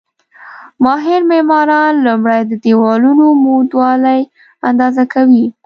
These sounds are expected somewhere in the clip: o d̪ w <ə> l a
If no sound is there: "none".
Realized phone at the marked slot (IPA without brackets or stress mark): ɑ